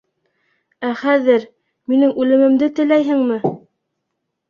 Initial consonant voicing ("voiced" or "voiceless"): voiceless